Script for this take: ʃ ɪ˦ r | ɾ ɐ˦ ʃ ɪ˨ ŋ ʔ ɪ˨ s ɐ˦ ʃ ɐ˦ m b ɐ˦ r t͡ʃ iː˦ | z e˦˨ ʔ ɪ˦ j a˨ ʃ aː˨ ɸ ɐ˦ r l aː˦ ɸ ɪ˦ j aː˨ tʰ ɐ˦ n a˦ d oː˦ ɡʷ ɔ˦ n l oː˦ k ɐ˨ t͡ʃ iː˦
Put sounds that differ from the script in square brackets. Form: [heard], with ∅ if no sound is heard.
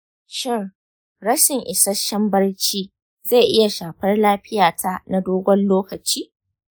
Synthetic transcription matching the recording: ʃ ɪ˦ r | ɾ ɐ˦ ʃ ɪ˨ ŋ ʔ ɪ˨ s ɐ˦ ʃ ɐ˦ m b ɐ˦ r t͡ʃ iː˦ | z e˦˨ ʔ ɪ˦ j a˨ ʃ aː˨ ɸ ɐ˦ r l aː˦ ɸ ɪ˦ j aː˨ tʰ [a˦] n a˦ d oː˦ ɡʷ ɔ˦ n l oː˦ k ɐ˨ t͡ʃ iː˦